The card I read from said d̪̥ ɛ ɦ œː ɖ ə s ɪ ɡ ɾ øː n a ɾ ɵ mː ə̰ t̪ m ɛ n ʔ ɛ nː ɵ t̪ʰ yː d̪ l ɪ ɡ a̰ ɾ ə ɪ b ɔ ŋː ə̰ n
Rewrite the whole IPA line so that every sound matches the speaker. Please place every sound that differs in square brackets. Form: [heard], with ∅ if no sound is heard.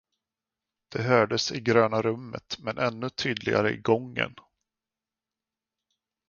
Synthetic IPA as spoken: d̪̥ ɛ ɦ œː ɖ ə s ɪ ɡ ɾ øː n a ɾ ɵ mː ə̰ t̪ m ɛ n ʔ ɛ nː ɵ t̪ʰ yː d̪ l ɪ ɡ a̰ ɾ ə ɪ [ɡ] ɔ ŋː ə̰ n